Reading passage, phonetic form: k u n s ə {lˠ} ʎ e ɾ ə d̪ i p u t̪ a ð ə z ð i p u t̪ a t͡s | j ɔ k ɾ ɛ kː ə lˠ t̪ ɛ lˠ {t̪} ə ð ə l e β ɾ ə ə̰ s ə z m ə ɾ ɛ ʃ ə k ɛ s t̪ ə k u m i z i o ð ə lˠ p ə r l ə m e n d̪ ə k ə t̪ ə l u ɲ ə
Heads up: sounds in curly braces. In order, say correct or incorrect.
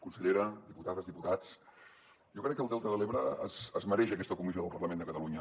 incorrect: none, correct

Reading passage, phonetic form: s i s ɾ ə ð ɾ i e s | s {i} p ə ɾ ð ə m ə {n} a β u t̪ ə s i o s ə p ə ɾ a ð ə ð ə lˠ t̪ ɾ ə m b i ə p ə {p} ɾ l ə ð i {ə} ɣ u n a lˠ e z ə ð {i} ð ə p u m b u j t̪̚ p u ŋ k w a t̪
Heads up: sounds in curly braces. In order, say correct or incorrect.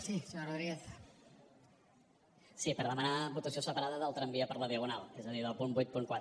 correct, correct, incorrect: none, correct, correct

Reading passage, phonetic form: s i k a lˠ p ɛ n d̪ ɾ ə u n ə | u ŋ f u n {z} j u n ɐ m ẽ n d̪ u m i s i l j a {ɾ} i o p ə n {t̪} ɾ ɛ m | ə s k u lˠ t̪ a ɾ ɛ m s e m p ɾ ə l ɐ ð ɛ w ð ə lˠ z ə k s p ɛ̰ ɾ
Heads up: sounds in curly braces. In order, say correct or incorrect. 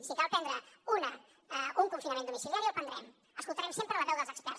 incorrect: s, correct, incorrect: d̪

